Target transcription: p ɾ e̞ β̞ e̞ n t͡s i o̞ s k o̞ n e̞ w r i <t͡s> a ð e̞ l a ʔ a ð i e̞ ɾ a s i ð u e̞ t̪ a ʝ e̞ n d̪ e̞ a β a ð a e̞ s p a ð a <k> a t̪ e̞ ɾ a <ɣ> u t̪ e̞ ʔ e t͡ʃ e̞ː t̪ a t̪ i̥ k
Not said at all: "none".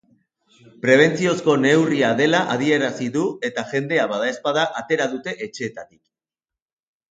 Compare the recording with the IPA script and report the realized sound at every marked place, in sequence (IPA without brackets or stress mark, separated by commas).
none, ʔ, ð